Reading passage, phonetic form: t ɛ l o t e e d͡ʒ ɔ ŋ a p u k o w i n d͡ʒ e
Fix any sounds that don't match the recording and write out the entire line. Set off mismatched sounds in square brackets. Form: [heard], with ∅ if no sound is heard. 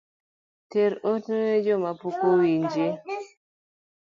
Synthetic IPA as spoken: t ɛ [ɾ] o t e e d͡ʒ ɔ [m] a p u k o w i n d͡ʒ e